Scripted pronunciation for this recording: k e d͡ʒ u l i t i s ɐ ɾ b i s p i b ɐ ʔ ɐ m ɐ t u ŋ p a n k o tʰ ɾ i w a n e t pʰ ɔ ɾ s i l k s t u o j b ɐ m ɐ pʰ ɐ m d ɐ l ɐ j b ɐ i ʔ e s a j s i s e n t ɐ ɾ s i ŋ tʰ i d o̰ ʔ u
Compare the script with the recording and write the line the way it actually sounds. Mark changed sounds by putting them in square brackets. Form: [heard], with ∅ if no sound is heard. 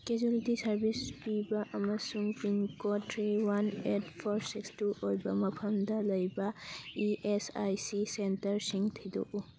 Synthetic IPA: k e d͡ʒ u l i t i s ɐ ɾ b i s p i b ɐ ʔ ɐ m ɐ [s] u ŋ p [i] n k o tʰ ɾ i w a n e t pʰ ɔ ɾ s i [∅] k s t u o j b ɐ m ɐ pʰ ɐ m d ɐ l ɐ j b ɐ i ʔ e s a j s i s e n t ɐ ɾ s i ŋ tʰ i d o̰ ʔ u

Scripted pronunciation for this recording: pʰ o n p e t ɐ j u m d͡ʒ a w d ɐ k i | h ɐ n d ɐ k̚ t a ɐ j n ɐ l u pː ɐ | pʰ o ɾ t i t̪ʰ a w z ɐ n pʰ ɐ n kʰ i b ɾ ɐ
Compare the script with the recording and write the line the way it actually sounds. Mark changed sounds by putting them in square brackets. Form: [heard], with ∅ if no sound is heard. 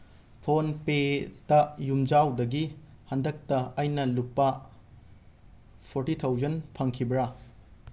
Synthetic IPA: pʰ o n p e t ɐ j u m d͡ʒ a w d ɐ [ɡ] i | h ɐ n d ɐ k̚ t [ɐ] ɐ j n ɐ l u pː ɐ | pʰ o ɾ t i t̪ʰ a w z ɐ n pʰ ɐ [ŋ] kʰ i b ɾ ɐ

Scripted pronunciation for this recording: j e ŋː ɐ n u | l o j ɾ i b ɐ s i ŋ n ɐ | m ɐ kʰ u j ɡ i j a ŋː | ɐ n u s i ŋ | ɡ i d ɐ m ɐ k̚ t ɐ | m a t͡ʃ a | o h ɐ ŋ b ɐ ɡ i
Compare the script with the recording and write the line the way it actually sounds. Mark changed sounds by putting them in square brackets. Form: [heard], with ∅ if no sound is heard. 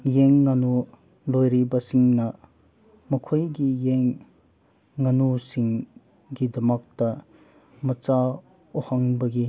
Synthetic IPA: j e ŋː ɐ n u | l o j ɾ i b ɐ s i ŋ n ɐ | m ɐ kʰ [o] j ɡ i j [e] ŋː | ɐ n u s i ŋ | ɡ i d ɐ m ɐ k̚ t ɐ | m [ɐ] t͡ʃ a | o h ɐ ŋ b ɐ ɡ i

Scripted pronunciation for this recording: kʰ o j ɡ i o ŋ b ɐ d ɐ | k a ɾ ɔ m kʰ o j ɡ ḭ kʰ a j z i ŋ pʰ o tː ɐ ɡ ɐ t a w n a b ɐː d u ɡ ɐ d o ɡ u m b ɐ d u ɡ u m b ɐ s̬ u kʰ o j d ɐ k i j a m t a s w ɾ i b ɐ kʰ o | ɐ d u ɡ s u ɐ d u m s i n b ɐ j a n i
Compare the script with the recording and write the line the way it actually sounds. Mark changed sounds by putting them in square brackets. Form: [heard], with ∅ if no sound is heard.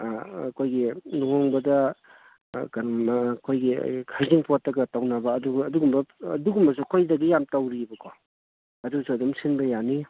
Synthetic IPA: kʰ o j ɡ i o ŋ b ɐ d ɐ | k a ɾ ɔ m kʰ o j ɡ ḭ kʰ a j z i ŋ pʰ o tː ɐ ɡ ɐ t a w n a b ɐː d u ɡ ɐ d [u] ɡ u m b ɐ d u ɡ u m b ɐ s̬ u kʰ o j d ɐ [ɡ] i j a m t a [∅] w ɾ i b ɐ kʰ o | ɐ d u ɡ s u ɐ d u m s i n b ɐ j a n i

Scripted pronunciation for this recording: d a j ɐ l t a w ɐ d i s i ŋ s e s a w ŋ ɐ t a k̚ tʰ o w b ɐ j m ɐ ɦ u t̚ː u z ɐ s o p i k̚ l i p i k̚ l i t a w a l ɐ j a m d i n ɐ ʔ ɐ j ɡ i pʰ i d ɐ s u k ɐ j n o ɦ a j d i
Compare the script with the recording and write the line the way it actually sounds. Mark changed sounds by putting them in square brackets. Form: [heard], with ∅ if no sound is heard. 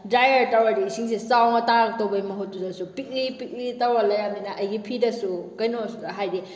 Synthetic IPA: d a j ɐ [ɾ] t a w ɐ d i s i ŋ s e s a w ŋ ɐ t a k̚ [t] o w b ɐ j m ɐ ɦ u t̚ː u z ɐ s [u] p i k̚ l i p i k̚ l i t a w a l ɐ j a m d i n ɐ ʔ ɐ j ɡ i pʰ i d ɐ s u k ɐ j n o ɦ a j d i

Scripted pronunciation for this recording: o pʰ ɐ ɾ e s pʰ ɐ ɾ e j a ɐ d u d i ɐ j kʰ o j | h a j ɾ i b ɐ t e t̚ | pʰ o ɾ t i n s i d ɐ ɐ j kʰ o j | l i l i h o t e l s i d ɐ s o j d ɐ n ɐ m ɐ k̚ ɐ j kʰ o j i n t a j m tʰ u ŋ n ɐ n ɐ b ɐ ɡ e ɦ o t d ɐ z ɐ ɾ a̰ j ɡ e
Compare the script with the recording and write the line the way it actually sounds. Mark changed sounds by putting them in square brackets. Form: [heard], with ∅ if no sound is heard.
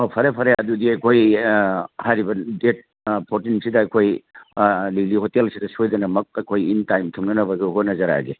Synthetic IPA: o pʰ ɐ ɾ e [∅] pʰ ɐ ɾ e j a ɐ d u d i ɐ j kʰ o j | h a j ɾ i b ɐ [d] e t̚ | pʰ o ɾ t i n s i d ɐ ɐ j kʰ o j | l i l i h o t e l s i d ɐ s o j d ɐ n ɐ m ɐ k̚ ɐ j kʰ o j i n t a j m tʰ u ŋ n ɐ n ɐ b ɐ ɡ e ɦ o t [n] ɐ z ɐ ɾ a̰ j ɡ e

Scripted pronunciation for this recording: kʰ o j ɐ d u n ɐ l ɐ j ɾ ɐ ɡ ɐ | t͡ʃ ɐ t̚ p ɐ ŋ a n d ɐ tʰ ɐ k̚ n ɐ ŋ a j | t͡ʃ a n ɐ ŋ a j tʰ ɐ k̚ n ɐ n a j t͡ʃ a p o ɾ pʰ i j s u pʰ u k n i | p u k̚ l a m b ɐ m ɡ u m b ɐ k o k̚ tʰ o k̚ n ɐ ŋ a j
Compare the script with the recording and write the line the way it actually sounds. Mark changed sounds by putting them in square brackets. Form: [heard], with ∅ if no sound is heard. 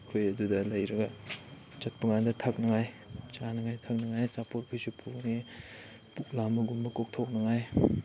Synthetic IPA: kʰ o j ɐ d u [d] ɐ l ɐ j ɾ ɐ ɡ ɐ | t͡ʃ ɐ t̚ p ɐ ŋ a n d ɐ tʰ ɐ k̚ n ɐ ŋ a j | t͡ʃ a n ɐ ŋ a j tʰ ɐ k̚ n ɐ [ŋ] a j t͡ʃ a p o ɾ pʰ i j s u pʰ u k n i | p u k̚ l a m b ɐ [∅] ɡ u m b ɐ k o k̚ tʰ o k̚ n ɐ ŋ a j

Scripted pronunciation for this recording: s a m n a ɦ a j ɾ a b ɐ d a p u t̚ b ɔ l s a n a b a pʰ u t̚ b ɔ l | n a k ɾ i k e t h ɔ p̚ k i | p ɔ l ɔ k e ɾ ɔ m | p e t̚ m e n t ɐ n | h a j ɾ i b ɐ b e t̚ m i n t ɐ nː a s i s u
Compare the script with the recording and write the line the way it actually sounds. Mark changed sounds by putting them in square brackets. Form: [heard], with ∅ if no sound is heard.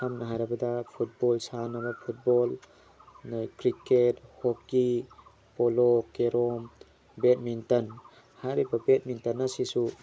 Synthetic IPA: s a m n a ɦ a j ɾ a b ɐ d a [pʰ] u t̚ b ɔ l s a n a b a pʰ u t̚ b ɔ l | n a k ɾ i k e t h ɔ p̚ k i | p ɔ l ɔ k e ɾ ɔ m | [b] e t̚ m [i] n t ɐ n | h a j ɾ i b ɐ b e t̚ m i n t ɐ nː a s i s u

